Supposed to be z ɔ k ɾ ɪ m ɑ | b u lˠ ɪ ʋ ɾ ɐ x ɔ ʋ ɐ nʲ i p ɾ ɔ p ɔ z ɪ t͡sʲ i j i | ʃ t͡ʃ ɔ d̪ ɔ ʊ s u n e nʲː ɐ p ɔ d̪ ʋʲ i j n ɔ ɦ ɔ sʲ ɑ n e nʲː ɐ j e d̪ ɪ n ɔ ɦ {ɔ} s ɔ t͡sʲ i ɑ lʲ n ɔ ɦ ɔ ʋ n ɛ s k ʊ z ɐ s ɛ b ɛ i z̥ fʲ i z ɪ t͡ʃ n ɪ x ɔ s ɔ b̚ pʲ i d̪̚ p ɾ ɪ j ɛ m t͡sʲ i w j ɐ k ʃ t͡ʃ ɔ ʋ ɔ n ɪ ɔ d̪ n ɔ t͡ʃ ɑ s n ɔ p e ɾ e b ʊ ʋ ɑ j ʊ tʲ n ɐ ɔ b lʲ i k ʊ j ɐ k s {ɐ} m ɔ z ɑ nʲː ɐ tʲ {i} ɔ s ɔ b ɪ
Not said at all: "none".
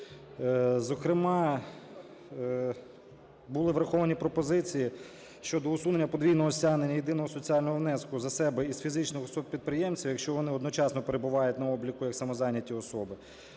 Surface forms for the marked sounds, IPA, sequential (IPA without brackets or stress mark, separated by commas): ɔ, ɐ, i